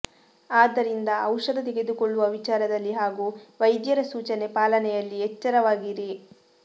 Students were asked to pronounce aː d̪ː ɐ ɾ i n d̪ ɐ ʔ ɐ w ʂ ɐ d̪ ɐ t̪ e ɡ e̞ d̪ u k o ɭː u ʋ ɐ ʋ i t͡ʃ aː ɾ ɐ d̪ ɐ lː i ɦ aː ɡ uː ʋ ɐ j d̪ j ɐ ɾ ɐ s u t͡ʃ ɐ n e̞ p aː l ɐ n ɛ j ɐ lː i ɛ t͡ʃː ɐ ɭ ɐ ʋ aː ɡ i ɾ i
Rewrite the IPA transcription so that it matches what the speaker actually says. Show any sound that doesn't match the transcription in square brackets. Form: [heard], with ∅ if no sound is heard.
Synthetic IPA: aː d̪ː ɐ ɾ i n d̪ ɐ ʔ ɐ w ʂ ɐ d̪ ɐ t̪ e ɡ e̞ d̪ u k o ɭː u ʋ ɐ ʋ i t͡ʃ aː ɾ ɐ d̪ ɐ lː i ɦ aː ɡ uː ʋ ɐ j d̪ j ɐ ɾ ɐ s [uː] t͡ʃ ɐ n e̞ p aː l ɐ n ɛ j ɐ lː i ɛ t͡ʃː ɐ [ɾ] ɐ ʋ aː ɡ i ɾ i